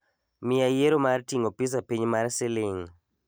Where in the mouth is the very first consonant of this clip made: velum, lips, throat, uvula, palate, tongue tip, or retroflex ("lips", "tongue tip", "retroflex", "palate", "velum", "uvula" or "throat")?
lips